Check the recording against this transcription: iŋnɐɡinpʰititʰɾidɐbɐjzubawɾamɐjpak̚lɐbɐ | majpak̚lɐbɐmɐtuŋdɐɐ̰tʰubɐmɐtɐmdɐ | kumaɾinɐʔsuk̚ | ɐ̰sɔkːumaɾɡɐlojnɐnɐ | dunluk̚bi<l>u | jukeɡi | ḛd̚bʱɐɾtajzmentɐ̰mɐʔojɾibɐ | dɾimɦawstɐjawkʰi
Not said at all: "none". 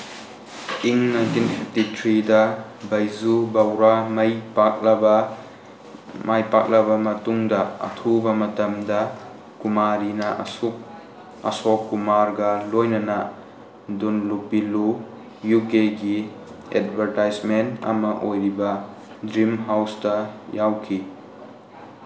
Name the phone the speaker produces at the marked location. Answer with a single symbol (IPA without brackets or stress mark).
l